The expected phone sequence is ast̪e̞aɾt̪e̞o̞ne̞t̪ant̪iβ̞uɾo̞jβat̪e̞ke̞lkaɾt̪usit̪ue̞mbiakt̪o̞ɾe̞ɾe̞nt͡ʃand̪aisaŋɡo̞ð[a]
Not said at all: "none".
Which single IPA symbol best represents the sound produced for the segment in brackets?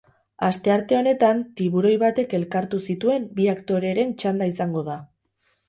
a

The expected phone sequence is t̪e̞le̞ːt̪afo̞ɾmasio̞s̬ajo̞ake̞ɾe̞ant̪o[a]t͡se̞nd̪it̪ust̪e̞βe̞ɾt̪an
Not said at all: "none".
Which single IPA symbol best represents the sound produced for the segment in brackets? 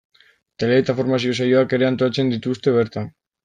a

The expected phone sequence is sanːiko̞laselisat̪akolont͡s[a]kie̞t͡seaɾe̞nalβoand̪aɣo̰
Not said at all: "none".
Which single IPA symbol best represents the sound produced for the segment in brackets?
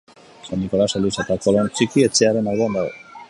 i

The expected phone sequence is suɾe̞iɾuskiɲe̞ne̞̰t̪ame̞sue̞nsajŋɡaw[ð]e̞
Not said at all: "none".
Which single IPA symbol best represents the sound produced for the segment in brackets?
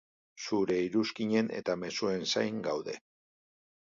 ð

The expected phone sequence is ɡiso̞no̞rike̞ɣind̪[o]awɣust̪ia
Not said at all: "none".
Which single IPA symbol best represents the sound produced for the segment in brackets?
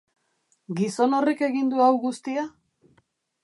u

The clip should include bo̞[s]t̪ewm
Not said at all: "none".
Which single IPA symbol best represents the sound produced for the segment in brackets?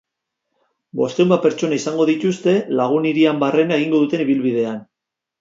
s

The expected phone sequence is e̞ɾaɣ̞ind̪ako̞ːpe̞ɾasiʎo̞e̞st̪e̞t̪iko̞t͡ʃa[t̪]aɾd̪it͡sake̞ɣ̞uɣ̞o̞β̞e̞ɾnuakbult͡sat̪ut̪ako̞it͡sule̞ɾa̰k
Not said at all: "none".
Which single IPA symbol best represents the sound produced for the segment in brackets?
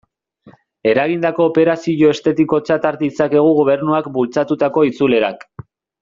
t̪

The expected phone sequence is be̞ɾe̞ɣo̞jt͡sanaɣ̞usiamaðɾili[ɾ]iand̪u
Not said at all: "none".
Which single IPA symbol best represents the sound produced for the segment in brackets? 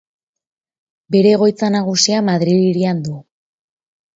ɾ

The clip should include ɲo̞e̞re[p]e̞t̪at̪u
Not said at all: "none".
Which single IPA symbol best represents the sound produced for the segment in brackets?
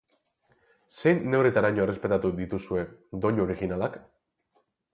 p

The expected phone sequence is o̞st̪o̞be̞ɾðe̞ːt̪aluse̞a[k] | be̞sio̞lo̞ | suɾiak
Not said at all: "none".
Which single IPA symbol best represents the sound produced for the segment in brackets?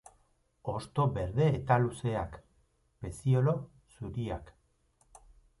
k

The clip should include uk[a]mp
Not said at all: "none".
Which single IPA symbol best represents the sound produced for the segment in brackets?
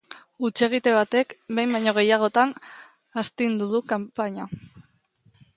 a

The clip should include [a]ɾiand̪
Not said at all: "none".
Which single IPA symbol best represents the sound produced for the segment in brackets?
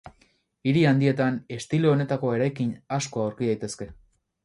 i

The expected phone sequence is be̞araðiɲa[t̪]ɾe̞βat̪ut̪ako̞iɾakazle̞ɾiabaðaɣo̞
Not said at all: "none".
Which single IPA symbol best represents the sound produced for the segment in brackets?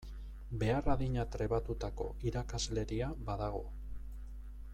t̪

